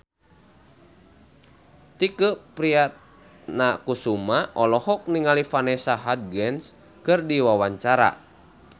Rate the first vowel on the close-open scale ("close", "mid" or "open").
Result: close